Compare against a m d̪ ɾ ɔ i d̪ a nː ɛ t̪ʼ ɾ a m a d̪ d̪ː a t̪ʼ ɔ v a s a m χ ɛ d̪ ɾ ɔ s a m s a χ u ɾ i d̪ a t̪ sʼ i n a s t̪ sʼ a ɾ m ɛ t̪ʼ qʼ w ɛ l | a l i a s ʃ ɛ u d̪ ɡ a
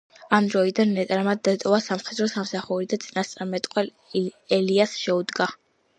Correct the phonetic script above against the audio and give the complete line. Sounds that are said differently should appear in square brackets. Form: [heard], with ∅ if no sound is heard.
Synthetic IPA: a m d̪ ɾ ɔ i d̪ a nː ɛ t̪ʼ ɾ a m a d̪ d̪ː a t̪ʼ ɔ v a s a m χ ɛ d̪ ɾ ɔ s a m s a χ u ɾ i d̪ a t̪ sʼ i n a s t̪ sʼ a ɾ m ɛ t̪ʼ qʼ w ɛ l | [ɛ] l i a s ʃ ɛ u d̪ ɡ a